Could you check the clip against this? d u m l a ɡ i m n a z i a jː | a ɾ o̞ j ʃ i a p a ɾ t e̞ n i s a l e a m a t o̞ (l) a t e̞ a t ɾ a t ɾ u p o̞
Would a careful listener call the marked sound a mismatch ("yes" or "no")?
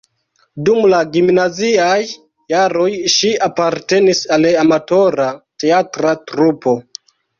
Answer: yes